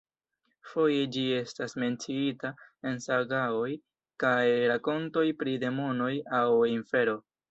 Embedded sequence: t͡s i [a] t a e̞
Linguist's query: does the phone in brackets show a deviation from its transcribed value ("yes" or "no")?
yes